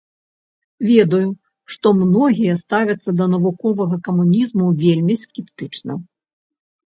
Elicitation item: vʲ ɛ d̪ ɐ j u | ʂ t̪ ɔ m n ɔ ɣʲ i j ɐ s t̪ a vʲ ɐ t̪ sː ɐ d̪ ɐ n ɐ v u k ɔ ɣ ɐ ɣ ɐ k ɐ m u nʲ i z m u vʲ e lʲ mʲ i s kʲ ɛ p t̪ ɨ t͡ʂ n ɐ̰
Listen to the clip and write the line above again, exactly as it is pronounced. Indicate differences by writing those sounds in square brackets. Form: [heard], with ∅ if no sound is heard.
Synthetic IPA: vʲ ɛ d̪ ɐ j u | ʂ t̪ ɔ m n ɔ ɣʲ i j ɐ s t̪ a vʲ ɐ t̪ sː ɐ d̪ ɐ n ɐ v u k ɔ [v] ɐ ɣ ɐ k ɐ m u nʲ i z m u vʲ e lʲ mʲ i s kʲ ɛ p t̪ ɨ t͡ʂ n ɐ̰